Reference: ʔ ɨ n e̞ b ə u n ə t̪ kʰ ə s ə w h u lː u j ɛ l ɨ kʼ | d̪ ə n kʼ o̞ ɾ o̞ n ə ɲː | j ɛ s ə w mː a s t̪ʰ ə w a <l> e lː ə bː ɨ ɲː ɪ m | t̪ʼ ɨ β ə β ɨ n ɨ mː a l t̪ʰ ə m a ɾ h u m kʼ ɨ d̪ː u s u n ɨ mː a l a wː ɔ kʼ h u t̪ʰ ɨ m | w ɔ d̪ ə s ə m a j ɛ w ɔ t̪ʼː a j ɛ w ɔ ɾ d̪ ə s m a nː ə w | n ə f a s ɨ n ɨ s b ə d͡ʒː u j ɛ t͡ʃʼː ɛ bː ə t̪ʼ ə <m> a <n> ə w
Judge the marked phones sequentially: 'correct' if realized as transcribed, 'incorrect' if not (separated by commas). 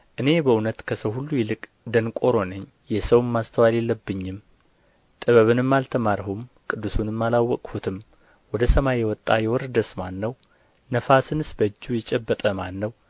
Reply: correct, correct, incorrect